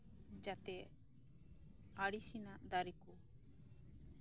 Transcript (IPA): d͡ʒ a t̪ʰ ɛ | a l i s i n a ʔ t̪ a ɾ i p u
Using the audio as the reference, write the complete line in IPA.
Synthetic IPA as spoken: d͡ʒ a t̪ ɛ | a ɽ i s i n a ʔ d̪ a ɾ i k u